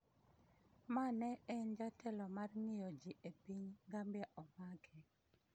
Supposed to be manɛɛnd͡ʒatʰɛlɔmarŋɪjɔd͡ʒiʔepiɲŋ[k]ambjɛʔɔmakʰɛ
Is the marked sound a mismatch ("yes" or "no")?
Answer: yes